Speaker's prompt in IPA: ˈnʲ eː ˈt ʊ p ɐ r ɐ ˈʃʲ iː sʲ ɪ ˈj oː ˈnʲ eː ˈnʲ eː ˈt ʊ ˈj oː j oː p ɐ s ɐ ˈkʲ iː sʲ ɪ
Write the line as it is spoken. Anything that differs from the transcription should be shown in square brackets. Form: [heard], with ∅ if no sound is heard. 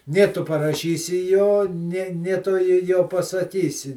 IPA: ˈnʲ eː ˈt ʊ p ɐ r ɐ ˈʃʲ iː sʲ ɪ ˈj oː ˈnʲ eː ˈnʲ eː ˈt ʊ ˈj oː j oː p ɐ s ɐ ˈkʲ iː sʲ ɪ

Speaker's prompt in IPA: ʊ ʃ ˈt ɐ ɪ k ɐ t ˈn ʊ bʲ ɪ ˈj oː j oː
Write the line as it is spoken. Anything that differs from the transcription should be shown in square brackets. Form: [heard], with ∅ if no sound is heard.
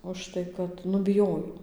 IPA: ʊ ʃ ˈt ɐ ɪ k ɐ t ˈn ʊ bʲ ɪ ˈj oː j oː

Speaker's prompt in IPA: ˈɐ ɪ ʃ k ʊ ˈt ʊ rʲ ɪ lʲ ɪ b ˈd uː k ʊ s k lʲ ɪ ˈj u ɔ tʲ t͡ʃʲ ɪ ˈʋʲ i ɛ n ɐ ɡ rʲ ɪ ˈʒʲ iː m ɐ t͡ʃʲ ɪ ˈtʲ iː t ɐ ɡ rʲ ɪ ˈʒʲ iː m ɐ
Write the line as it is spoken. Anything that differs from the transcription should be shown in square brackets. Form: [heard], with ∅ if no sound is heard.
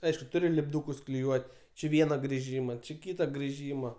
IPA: ˈɐ ɪ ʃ k ʊ ˈt ʊ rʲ ɪ lʲ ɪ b ˈd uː k ʊ s k lʲ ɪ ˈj u ɔ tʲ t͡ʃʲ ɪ ˈʋʲ i ɛ n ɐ ɡ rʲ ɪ ˈʒʲ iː m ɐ t͡ʃʲ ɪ [ˈkʲ] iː t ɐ ɡ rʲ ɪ ˈʒʲ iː m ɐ

